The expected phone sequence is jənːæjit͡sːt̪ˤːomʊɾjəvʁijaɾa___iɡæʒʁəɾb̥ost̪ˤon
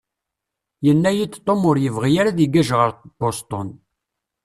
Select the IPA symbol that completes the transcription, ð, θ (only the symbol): ð